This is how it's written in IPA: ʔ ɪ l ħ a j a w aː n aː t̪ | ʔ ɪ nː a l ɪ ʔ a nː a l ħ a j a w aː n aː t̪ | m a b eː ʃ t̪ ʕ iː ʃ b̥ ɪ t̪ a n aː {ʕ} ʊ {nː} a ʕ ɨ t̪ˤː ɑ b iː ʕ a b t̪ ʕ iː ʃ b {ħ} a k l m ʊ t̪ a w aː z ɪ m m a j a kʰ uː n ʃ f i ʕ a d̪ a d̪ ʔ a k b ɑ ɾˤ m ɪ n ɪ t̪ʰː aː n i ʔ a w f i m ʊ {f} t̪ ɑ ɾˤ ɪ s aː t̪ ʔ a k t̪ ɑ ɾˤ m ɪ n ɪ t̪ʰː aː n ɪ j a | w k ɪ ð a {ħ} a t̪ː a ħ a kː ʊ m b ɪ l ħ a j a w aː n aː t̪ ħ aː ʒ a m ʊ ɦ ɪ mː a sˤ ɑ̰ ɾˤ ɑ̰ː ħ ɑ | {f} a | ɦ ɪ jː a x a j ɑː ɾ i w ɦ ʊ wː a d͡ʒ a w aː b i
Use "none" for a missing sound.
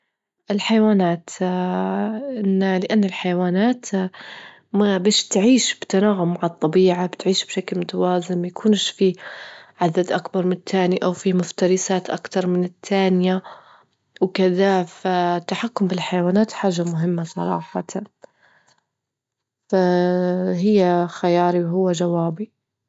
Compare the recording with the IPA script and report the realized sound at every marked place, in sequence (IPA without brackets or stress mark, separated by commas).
ɣ, mː, ʃ, f, f, f